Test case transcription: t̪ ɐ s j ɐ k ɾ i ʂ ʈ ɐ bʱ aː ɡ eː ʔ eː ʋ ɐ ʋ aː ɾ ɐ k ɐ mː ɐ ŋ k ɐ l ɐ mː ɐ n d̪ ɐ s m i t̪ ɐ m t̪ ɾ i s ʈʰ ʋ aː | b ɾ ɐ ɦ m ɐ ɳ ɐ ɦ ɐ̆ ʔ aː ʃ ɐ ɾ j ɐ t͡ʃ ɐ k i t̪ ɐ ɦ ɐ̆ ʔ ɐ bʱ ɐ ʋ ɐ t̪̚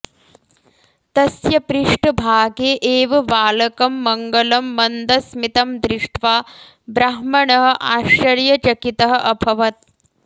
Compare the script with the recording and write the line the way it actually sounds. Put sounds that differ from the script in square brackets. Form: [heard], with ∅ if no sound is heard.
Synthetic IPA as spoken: t̪ ɐ s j ɐ [p] ɾ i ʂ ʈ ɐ bʱ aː ɡ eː ʔ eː ʋ ɐ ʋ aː [l] ɐ k ɐ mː ɐ ŋ [ɡ] ɐ l ɐ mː ɐ n d̪ ɐ s m i t̪ ɐ m [d̪] ɾ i [ʂ] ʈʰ ʋ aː | b ɾ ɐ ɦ m ɐ ɳ ɐ ɦ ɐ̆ ʔ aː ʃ ɐ ɾ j ɐ t͡ʃ ɐ k i t̪ ɐ ɦ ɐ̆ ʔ ɐ bʱ ɐ ʋ ɐ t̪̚